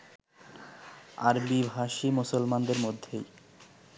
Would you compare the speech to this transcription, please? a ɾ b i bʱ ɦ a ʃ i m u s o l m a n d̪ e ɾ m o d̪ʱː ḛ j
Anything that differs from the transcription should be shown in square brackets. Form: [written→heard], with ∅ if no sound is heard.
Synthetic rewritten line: a ɾ b i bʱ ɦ a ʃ i m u s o l m a n d̪ e ɾ m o d̪ʱː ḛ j

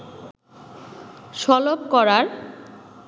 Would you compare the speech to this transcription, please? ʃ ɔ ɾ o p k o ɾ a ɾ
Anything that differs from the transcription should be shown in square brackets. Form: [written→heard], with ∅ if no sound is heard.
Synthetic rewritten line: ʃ ɔ [ɾ→l] o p k [o→ɔ] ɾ a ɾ

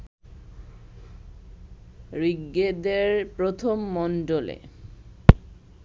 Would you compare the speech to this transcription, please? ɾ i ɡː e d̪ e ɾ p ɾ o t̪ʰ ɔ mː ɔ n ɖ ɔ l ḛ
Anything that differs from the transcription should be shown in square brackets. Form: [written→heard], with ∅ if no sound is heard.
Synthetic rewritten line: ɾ i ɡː e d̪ e ɾ p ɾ o t̪ʰ [ɔ→o] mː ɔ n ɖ [ɔ→o] l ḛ

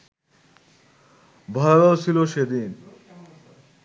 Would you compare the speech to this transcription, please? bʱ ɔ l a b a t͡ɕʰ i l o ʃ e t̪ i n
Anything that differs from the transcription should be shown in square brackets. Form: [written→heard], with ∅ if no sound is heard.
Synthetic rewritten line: bʱ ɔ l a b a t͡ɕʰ i l o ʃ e [t̪→d̪] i n

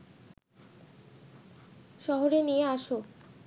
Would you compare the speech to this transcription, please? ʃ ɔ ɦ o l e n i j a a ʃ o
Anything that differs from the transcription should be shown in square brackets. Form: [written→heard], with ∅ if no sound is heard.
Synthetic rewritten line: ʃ ɔ ɦ o [l→ɾ] e n i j [a→e] a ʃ o

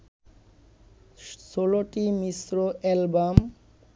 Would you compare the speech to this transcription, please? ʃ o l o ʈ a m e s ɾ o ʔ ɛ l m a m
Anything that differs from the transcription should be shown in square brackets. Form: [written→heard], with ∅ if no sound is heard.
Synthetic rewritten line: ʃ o l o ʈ [a→i] m [e→i] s ɾ o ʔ ɛ l [m→b] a m

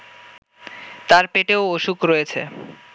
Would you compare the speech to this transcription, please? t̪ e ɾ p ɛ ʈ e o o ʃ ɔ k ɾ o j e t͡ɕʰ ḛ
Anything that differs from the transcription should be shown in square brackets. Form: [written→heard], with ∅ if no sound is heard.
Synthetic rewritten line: t̪ [e→a] ɾ p [ɛ→e] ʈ e o o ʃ [ɔ→u] k ɾ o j e t͡ɕʰ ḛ

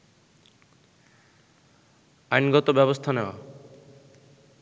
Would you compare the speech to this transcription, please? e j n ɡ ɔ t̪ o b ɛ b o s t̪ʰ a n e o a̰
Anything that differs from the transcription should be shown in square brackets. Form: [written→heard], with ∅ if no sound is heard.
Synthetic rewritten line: [e→a] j n ɡ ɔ t̪ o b ɛ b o s t̪ʰ a n e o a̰

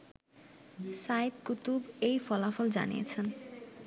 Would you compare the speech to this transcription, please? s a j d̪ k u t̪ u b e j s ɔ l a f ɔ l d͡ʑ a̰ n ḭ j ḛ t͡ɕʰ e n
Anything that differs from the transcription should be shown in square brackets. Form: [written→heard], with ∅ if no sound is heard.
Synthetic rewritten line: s a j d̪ k u t̪ u b e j [s→f] ɔ l a f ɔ l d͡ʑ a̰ n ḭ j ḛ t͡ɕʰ e n

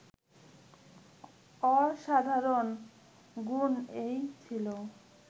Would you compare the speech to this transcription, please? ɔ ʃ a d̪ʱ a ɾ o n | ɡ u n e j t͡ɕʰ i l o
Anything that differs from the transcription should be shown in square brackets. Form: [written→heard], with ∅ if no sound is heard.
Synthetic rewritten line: ɔ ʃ a d̪ʱ a ɾ o n | ɡ u n e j t͡ɕʰ i l o

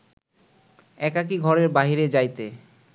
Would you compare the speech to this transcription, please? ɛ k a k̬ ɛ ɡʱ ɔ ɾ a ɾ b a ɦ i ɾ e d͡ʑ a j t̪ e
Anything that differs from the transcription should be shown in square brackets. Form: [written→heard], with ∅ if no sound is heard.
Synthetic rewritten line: ɛ k a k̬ [ɛ→i] ɡʱ ɔ ɾ [a→e] ɾ b a ɦ i ɾ e d͡ʑ a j t̪ e

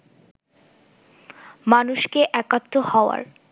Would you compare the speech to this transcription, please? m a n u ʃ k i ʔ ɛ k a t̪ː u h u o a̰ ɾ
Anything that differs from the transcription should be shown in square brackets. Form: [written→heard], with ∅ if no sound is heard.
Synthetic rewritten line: m a n u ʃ k [i→e] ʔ ɛ k a t̪ː [u→o] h [u→ɔ] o a̰ ɾ

